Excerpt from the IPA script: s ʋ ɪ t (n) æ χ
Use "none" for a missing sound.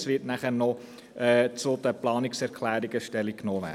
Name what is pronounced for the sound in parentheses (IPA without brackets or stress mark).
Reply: n